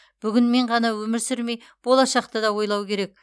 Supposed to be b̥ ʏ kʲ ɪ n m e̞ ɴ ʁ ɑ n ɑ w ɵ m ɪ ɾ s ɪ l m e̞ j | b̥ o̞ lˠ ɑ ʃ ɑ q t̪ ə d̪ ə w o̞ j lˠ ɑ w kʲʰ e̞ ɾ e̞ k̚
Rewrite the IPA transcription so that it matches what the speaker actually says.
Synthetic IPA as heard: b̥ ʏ ɡʲ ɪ n m e̞ ɴ ʁ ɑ n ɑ w ɵ m ɪ ɾ s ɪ ɾ m e̞ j | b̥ o̞ lˠ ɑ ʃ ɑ q t̪ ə d̪ ɑ w o̞ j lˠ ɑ w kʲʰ e̞ ɾ e̞ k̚